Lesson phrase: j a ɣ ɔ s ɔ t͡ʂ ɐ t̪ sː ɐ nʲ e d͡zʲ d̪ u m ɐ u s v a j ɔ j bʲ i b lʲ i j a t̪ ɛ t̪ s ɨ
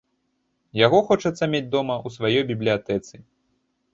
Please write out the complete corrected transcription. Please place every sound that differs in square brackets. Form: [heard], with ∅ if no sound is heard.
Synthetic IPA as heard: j a ɣ ɔ [x] ɔ t͡ʂ ɐ t̪ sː ɐ [mʲ] e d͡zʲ d̪ [ɔ] m ɐ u s v a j ɔ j bʲ i b lʲ i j a t̪ ɛ t̪ s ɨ